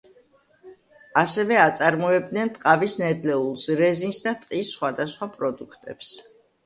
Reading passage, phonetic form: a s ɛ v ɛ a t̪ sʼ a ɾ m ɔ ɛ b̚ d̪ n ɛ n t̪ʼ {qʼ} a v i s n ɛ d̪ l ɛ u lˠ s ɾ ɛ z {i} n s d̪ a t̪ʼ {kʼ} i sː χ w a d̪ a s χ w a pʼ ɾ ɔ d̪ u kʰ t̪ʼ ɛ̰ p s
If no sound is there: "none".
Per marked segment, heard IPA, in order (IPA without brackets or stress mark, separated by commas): qʼ, i, qʼ